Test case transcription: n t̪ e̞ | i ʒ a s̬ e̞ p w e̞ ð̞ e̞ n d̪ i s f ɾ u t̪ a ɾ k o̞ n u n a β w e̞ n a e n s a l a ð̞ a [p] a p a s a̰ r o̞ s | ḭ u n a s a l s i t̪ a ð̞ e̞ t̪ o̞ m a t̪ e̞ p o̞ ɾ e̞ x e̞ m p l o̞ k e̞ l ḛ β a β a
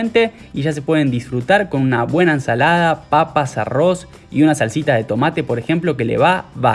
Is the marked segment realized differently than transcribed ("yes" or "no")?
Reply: no